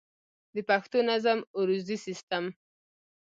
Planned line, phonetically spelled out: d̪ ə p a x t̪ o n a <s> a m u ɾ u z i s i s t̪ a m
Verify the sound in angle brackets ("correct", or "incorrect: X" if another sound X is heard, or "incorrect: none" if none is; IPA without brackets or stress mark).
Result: incorrect: z